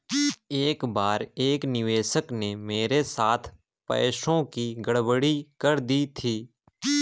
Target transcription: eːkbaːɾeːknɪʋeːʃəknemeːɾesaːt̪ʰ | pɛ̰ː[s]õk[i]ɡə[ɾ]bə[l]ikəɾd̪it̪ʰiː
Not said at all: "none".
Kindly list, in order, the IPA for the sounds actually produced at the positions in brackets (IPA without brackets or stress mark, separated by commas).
ʃ, i, ɽ, ɽ